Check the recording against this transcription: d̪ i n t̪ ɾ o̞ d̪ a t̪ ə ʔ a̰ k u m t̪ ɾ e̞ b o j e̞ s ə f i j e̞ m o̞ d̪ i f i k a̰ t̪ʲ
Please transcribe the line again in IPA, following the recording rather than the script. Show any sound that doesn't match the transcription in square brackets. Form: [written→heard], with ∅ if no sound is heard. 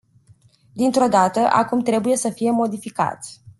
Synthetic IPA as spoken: d̪ i n t̪ ɾ o̞ d̪ a t̪ ə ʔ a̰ k u m t̪ ɾ e̞ b [o→u] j e̞ s ə f i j e̞ m o̞ d̪ i f i k a̰ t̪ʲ